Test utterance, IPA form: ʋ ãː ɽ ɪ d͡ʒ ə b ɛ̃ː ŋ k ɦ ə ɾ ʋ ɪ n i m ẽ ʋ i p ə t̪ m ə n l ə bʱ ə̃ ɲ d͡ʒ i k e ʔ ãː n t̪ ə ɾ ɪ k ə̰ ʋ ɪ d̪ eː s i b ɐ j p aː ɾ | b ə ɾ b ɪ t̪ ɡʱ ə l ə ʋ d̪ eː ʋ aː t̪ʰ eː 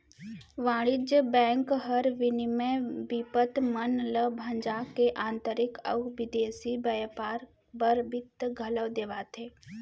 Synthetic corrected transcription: ʋ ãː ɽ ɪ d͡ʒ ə b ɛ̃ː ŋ k ɦ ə ɾ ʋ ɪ n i m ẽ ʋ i p ə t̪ m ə n l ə bʱ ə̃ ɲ d͡ʒ a k e ʔ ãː n t̪ ə ɾ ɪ k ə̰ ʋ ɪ d̪ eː s i b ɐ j p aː ɾ | b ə ɾ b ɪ t̪ ɡʱ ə l ə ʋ d̪ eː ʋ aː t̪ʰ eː